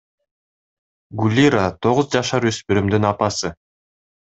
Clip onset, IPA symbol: ɡ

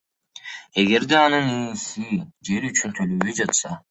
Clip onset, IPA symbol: e̞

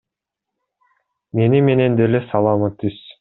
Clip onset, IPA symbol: m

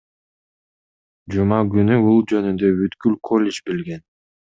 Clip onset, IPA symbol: d͡ʒ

